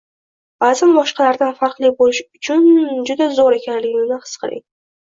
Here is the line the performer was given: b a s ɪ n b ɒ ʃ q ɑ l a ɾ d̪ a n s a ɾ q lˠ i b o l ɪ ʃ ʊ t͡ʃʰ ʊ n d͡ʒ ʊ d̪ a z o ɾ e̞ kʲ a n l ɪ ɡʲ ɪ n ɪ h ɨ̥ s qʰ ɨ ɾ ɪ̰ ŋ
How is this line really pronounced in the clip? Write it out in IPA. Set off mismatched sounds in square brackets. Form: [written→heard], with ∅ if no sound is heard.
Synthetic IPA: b a [s→z] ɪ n b ɒ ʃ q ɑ l a ɾ d̪ a n [s→f] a ɾ q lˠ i b o l ɪ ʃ ʊ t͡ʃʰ ʊ n d͡ʒ ʊ d̪ a z o ɾ e̞ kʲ a n l ɪ ɡʲ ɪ n ɪ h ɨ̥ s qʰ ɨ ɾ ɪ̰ ŋ